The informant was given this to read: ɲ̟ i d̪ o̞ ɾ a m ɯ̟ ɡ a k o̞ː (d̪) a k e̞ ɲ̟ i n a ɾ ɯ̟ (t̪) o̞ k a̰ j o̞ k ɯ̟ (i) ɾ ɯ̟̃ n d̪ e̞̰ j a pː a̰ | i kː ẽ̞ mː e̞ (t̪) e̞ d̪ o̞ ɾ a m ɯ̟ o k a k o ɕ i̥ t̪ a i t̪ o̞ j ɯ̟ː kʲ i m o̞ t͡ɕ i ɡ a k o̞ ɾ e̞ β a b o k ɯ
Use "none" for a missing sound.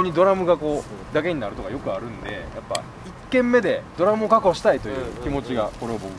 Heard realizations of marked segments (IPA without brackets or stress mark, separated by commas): d̪, t̪, a, d̪